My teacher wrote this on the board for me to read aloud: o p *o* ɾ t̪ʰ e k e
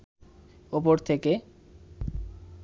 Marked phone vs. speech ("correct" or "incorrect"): correct